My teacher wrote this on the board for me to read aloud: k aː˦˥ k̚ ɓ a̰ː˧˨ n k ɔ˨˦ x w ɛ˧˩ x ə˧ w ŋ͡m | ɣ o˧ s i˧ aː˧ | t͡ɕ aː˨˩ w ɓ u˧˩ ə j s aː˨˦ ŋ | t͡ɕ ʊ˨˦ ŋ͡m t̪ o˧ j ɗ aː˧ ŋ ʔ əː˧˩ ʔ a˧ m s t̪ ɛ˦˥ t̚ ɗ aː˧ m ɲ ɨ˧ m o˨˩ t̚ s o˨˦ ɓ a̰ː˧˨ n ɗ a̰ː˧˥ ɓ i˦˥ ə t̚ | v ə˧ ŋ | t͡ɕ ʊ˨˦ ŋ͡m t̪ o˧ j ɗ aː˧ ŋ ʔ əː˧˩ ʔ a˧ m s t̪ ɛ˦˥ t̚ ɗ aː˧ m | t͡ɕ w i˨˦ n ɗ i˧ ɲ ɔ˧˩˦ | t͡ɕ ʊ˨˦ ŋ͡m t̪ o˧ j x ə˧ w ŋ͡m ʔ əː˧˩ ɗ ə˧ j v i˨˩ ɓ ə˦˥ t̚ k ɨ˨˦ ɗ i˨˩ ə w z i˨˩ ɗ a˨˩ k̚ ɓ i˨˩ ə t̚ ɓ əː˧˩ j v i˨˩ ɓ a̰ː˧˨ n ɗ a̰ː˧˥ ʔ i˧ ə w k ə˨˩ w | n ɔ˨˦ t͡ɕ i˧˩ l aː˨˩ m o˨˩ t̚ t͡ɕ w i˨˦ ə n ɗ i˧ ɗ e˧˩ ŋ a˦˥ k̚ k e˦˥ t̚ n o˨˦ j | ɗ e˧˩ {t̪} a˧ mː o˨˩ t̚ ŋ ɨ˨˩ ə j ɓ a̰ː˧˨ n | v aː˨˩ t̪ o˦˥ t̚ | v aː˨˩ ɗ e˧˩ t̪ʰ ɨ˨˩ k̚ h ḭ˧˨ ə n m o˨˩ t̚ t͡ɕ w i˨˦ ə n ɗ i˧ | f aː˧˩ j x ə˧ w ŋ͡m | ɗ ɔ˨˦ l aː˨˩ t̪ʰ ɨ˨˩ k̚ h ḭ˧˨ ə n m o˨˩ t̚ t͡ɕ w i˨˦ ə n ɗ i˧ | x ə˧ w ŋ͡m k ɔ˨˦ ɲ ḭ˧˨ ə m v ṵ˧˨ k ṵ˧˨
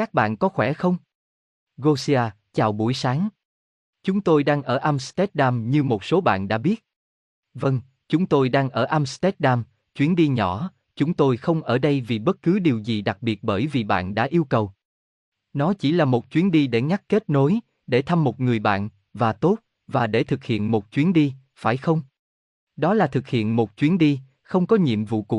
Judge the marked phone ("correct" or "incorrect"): incorrect